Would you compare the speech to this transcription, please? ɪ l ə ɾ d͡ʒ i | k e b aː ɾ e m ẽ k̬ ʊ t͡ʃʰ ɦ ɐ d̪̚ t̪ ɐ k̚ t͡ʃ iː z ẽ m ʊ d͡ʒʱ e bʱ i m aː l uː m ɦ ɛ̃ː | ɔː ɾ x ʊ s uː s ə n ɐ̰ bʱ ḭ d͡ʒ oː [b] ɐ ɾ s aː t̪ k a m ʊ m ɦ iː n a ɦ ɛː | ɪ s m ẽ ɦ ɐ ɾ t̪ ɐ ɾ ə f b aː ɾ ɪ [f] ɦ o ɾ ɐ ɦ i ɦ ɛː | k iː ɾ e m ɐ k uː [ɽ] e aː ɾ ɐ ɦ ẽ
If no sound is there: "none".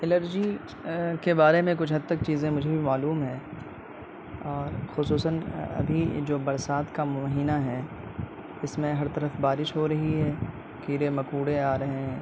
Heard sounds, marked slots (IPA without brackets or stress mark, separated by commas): b, ʃ, ɽ